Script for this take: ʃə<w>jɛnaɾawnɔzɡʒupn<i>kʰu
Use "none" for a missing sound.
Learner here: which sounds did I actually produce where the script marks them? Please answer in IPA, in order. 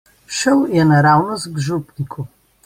w, i

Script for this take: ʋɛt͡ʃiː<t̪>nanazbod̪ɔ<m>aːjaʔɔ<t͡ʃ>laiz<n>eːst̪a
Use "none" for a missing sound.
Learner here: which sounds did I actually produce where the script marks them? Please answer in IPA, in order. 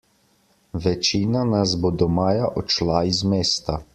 none, m, t͡ʃ, m

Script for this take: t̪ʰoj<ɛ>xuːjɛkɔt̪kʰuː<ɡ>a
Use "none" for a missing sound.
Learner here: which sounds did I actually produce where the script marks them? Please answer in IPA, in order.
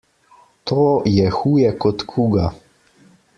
ɛ, ɡ

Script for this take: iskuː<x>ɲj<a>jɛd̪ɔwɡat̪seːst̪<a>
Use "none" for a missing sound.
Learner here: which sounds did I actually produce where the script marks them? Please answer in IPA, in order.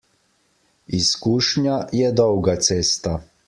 ʃ, a, a

